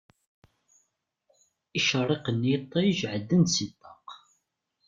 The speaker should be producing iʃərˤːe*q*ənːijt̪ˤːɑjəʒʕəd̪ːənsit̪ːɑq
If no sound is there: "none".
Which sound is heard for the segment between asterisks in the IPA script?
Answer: q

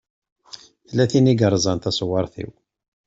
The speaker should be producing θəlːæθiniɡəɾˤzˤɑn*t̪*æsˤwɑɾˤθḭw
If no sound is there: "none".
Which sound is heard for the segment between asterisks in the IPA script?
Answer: t̪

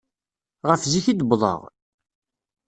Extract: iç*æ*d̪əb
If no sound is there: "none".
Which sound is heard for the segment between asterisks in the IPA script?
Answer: i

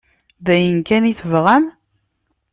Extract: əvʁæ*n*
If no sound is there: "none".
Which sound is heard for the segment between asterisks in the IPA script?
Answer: m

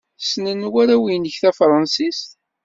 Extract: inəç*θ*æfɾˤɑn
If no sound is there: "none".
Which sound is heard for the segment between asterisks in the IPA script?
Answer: θ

